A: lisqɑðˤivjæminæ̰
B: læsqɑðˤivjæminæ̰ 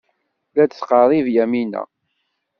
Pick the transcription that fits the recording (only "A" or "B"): B